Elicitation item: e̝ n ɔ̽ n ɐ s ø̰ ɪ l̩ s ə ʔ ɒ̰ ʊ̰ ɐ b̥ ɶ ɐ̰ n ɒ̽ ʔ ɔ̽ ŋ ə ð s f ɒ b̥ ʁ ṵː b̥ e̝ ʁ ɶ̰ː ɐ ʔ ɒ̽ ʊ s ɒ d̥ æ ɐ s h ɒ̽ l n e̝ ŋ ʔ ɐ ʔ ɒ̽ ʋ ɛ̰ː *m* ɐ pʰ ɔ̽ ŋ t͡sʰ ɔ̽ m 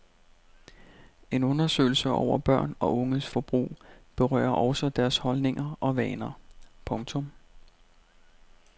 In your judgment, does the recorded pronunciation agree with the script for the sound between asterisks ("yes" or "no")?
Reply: no